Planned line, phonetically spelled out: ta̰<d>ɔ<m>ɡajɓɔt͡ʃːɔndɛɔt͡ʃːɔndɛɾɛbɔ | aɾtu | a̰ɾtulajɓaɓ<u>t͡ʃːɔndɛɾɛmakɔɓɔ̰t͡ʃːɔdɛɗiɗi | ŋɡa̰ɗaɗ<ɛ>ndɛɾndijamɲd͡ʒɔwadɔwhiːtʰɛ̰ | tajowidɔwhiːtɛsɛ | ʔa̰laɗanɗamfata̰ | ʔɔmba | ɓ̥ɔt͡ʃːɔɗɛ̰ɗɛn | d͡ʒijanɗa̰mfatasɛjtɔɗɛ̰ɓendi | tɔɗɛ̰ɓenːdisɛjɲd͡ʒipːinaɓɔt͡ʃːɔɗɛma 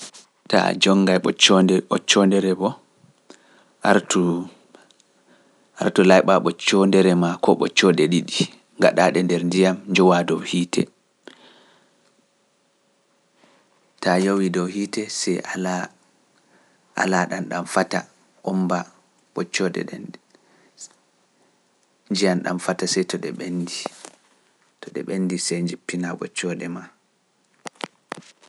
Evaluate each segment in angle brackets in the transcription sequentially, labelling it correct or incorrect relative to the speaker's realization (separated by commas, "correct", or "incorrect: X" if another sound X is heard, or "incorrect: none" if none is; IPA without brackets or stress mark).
incorrect: d͡ʒ, incorrect: ŋ, incorrect: ɔ, correct